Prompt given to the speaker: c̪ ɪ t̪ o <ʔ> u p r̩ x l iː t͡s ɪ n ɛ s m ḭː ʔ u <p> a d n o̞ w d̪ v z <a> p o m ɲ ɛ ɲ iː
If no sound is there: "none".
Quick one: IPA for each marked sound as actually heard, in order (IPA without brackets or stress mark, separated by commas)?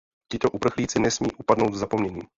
ʔ, p, a